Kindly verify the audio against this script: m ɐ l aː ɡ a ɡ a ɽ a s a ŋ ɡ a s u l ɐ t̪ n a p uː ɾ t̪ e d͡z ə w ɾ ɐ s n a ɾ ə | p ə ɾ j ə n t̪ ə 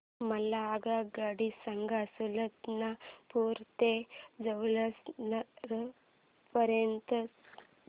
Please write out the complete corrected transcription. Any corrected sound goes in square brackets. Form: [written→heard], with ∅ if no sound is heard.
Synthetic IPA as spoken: m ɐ l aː ɡ a ɡ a ɽ [a→i] s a ŋ ɡ a s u l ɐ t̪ n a p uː ɾ t̪ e d͡z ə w [ɾ→l] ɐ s n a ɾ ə | p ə ɾ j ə n t̪ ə